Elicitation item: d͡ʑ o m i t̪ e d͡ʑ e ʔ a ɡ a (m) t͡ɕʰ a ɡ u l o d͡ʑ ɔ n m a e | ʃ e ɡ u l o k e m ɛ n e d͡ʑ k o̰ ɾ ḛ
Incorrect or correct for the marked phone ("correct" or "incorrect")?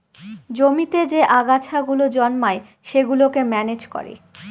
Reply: incorrect